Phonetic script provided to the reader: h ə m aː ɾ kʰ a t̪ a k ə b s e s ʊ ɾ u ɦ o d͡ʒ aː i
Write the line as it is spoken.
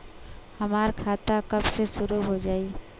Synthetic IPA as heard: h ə m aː ɾ kʰ a t̪ a k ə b s e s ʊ ɾ u ɦ o d͡ʒ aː i